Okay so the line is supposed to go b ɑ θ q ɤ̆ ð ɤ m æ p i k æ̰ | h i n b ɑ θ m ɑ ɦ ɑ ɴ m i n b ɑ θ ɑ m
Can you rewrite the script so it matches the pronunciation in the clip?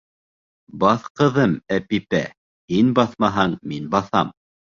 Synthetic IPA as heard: b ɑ θ q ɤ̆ ð ɤ m æ p i p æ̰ | h i n b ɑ θ m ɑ ɦ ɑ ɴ m i n b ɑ θ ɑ m